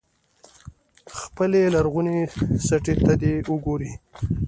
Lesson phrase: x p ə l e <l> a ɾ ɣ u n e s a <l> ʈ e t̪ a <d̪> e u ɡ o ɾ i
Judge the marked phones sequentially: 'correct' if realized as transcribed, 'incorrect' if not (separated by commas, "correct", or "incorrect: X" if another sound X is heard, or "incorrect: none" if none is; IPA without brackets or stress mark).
correct, incorrect: none, correct